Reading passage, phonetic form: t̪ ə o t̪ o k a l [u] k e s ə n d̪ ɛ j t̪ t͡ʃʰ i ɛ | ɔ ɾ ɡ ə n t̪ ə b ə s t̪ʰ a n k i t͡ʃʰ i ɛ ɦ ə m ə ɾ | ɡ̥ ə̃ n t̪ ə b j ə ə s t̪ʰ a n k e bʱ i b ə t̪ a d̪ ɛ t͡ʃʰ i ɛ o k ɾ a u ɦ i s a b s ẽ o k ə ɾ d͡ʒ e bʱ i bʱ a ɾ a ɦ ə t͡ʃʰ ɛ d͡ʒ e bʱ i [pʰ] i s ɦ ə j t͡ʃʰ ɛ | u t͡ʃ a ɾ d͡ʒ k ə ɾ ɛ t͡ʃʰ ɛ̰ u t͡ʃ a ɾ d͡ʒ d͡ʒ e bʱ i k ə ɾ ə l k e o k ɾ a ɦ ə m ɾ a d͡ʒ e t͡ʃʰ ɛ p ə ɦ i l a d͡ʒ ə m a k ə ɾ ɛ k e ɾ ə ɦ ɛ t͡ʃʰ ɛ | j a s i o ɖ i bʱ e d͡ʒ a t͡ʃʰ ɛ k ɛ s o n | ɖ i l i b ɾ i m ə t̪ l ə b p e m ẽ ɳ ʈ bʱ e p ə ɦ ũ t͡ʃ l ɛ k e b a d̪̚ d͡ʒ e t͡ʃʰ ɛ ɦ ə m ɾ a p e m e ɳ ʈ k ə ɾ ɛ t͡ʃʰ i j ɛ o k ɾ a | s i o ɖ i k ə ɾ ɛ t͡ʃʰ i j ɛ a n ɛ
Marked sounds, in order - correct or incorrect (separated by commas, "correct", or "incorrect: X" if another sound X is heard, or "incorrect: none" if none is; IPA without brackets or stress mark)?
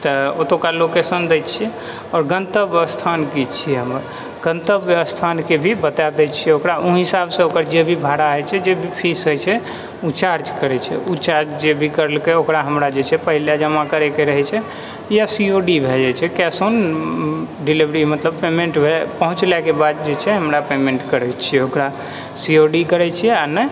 incorrect: o, correct